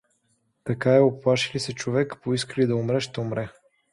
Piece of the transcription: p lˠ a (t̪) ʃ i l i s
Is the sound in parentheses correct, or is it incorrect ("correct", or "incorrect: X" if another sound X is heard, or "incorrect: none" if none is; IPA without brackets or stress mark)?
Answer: incorrect: none